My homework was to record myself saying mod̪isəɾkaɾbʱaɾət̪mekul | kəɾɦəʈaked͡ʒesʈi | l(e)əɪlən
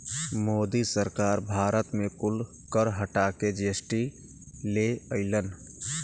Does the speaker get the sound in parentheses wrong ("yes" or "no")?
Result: no